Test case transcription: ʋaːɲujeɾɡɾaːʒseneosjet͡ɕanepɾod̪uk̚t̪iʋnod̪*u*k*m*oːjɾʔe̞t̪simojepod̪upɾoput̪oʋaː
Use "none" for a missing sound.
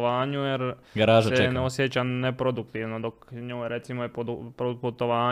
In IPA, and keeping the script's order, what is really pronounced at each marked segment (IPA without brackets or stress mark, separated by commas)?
o, ɲ